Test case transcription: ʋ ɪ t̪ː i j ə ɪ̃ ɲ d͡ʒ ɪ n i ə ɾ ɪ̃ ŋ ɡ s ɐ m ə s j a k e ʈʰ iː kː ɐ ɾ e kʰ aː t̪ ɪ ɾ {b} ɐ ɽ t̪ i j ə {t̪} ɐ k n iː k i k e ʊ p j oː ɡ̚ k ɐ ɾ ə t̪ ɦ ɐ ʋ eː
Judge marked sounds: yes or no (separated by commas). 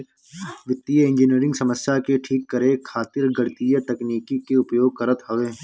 no, yes